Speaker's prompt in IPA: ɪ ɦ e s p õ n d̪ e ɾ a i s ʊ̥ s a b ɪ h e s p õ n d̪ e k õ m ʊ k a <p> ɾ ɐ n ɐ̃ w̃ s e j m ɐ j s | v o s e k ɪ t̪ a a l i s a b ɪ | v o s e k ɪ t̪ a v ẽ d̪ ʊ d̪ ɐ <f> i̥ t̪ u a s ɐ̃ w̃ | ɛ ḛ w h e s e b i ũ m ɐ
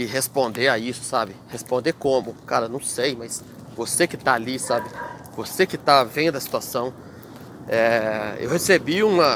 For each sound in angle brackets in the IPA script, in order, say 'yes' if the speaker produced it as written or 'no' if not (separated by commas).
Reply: no, no